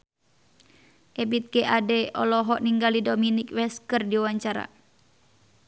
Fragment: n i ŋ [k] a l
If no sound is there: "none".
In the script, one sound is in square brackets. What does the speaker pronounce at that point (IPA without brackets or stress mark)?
ɡ